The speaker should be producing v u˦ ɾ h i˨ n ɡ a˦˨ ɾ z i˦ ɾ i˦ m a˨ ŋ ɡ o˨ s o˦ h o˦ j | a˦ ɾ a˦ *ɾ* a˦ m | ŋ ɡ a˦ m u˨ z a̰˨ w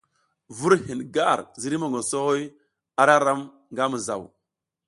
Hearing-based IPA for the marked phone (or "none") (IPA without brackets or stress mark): ɾ